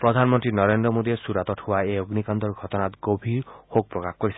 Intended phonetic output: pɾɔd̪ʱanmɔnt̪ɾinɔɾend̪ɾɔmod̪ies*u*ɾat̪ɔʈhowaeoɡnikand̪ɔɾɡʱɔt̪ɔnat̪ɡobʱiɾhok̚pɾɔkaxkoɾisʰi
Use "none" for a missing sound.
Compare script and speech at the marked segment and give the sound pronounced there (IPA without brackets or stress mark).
u